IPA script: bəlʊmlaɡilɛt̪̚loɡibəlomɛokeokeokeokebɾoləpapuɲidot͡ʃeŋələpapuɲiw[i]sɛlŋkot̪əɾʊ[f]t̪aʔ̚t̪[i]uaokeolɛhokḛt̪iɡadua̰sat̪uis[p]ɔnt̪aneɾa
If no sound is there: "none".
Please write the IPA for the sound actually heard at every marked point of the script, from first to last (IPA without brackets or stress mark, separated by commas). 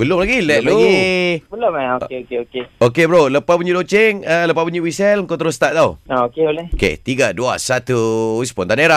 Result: i, s, a, p